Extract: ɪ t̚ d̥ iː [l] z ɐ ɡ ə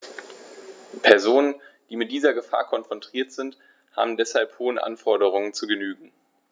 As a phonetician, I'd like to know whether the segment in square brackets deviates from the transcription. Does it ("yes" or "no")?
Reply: yes